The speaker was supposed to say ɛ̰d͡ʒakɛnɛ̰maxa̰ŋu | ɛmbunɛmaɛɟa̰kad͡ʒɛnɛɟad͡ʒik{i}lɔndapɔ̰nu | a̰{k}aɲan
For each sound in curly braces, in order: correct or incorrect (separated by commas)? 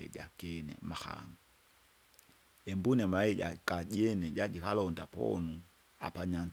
incorrect, incorrect